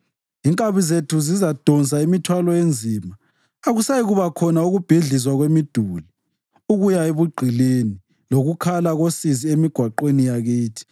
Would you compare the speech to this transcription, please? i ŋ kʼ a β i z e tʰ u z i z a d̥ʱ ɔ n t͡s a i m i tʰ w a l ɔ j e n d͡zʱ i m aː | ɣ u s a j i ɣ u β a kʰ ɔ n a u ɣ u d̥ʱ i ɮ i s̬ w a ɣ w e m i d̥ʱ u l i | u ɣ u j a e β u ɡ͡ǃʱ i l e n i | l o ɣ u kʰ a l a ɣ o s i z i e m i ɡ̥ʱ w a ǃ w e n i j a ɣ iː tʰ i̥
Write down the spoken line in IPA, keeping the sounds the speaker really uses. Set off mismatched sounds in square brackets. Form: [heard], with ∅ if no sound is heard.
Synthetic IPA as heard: i ŋ kʼ a β i z e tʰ u z i z a d̥ʱ ɔ n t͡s a i m i tʰ w a l ɔ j e n d͡zʱ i m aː | ɣ u s a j i ɣ u β a kʰ ɔ n a u ɣ u [b̥ʱ] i ɮ i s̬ w a ɣ w e m i d̥ʱ u l i | u ɣ u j a e β u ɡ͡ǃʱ i l e n i | l o ɣ u kʰ a l a ɣ o s i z i e m i ɡ̥ʱ w a ǃ w e n i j a ɣ iː tʰ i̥